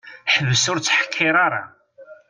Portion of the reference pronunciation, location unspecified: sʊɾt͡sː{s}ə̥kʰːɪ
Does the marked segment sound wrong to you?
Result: yes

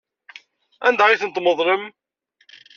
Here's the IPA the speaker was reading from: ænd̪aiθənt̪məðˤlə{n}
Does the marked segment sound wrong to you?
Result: yes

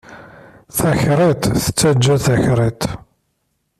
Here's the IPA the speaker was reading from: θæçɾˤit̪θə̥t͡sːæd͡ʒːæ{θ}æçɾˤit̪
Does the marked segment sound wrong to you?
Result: no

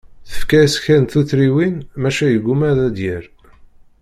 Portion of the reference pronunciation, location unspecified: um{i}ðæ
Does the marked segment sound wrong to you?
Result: yes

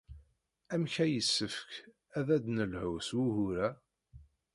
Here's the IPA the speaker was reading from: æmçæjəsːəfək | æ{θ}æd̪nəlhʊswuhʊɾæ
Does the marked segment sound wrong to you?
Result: yes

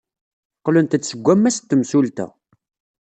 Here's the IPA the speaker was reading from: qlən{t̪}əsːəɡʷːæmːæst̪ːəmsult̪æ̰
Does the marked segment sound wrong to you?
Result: no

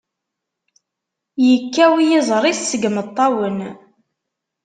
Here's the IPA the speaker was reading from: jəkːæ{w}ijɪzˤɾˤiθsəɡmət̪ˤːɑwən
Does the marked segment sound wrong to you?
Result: no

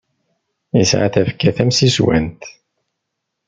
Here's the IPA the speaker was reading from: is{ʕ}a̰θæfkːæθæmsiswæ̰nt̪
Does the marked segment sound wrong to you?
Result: no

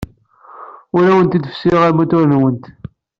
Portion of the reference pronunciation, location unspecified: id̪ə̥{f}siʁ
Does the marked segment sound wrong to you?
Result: no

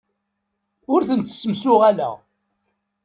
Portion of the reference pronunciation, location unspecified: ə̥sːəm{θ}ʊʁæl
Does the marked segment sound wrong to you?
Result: yes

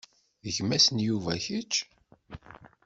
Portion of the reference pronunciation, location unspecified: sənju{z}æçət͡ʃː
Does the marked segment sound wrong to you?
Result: yes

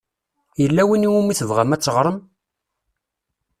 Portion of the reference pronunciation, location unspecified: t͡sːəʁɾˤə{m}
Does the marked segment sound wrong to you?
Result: no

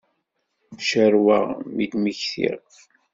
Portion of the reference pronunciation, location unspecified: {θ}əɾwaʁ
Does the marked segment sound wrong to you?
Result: yes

